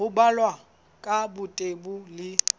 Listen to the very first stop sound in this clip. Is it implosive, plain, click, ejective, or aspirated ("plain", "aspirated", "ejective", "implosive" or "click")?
plain